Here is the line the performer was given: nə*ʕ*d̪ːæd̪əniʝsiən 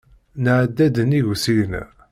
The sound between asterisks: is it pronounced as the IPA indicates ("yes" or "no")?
yes